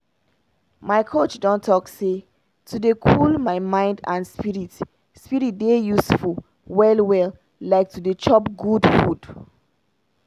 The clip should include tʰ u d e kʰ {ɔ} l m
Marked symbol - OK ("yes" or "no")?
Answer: no